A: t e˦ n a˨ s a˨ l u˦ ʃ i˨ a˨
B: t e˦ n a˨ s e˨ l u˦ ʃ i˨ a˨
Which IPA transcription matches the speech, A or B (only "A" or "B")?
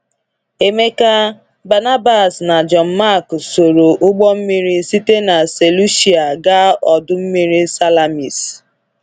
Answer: B